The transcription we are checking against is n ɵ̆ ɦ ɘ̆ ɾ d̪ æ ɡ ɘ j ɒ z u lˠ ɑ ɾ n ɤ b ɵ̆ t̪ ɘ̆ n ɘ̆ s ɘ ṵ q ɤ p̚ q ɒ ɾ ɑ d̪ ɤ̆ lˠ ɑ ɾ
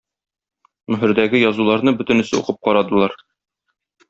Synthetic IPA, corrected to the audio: n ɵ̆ ɦ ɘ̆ ɾ d̪ æ ɡ ɘ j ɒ z u lˠ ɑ ɾ n ɤ b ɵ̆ t̪ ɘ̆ n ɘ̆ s ɘ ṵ q ɤ p̚ q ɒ ɾ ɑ d̪ ɤ̆ lˠ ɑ ɾ